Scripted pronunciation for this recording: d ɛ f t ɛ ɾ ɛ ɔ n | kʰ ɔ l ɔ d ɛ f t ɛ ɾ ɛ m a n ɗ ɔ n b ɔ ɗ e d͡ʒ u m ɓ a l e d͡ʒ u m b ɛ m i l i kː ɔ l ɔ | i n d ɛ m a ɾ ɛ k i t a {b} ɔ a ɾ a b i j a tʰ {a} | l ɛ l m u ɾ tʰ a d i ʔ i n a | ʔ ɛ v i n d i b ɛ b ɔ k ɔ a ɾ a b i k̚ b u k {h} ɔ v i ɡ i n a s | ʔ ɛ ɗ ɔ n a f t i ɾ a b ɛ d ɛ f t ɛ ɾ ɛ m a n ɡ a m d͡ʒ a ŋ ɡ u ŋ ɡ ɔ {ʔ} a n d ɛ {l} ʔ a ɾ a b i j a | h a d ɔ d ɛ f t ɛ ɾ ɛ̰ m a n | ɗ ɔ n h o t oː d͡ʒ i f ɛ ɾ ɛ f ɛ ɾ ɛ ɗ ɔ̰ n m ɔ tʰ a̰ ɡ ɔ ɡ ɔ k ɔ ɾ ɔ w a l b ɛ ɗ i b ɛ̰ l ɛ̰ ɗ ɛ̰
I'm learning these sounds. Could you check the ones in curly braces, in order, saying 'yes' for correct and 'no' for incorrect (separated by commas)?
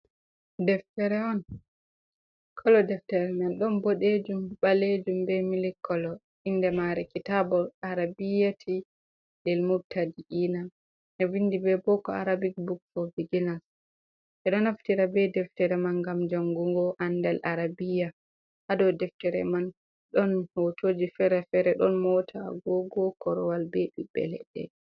yes, no, no, yes, yes